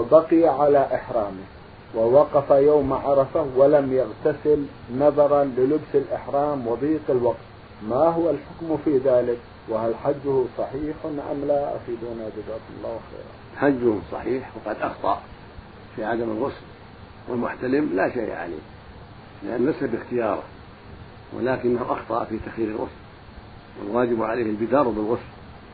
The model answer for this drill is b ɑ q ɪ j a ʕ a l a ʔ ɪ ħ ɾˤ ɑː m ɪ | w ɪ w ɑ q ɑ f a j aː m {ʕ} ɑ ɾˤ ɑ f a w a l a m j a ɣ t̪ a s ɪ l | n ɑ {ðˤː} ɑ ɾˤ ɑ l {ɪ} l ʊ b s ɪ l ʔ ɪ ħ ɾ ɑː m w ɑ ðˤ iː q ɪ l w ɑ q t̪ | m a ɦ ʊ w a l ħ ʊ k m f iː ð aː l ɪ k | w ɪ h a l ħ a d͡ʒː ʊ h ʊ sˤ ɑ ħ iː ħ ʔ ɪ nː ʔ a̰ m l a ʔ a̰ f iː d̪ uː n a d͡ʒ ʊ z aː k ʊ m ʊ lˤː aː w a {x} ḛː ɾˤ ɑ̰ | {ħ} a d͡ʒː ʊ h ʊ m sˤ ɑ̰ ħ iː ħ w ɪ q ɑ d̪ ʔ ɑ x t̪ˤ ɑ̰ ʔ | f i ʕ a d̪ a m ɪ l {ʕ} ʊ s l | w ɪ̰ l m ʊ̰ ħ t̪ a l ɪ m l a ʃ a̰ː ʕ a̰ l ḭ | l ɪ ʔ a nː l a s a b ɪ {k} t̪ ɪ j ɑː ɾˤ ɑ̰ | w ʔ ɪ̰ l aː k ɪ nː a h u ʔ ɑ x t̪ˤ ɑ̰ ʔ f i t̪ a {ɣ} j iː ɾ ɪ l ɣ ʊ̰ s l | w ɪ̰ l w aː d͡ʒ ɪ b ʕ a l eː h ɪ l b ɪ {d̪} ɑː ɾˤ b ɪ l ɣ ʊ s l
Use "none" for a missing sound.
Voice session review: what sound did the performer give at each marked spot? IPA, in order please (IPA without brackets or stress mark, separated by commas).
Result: ʕ, ðˤ, ɪ, x, ħ, ɣ, x, x, d̪